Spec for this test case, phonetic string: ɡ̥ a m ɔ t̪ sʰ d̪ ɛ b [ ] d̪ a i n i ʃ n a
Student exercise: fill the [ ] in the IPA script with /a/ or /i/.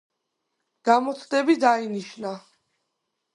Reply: i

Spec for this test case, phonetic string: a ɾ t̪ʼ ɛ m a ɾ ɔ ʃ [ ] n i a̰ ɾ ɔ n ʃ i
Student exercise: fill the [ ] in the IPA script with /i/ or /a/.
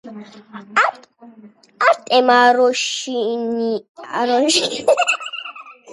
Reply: i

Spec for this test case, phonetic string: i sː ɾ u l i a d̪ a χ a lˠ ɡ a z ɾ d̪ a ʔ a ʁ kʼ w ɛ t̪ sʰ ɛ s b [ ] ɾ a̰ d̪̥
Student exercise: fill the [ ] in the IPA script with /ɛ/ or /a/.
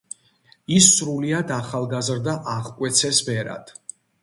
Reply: ɛ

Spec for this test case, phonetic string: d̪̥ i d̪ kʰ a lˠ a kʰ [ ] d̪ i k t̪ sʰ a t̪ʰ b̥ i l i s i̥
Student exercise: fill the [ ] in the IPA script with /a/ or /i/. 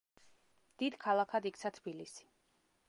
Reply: a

